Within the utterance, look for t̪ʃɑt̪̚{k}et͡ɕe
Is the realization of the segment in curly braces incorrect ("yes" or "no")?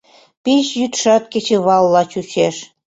no